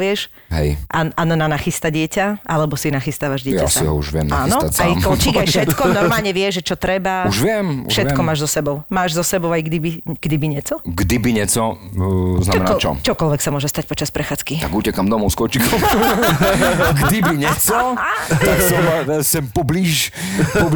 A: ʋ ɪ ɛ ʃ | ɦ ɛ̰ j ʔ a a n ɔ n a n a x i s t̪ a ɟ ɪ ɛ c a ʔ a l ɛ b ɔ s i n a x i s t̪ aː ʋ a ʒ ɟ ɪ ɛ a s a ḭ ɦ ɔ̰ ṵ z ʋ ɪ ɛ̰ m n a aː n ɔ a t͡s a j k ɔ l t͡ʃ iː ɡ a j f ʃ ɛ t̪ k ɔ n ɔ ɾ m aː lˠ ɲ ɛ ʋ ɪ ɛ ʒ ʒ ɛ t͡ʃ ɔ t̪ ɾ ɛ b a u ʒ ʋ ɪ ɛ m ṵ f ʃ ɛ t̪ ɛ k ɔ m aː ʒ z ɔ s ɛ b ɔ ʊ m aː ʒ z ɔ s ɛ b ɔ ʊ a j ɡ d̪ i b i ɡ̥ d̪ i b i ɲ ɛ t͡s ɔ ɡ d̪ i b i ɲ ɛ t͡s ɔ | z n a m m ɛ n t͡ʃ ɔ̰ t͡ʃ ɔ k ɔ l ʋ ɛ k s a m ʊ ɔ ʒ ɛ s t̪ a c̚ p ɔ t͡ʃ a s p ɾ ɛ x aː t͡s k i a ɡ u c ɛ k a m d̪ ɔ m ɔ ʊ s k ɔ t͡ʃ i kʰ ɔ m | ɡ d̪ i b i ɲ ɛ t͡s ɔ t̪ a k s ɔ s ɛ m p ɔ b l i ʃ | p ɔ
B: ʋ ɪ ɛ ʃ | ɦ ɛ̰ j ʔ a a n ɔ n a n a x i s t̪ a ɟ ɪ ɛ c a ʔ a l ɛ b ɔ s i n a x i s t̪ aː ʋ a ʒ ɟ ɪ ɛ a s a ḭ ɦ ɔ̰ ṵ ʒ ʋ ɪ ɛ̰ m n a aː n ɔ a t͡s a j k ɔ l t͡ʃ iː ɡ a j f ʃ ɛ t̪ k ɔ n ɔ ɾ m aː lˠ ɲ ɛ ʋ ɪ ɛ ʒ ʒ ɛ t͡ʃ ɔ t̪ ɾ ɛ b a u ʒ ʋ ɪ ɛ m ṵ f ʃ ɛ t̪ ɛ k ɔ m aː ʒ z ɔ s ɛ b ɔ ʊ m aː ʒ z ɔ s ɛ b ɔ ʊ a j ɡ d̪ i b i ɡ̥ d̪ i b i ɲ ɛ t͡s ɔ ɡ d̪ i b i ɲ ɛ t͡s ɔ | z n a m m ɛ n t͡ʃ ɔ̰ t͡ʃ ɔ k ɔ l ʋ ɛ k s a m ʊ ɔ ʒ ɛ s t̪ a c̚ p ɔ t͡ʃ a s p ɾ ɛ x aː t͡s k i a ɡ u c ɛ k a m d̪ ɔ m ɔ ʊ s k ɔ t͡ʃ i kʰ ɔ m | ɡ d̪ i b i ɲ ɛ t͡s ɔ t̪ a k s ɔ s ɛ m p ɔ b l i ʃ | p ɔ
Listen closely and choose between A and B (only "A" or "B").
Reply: B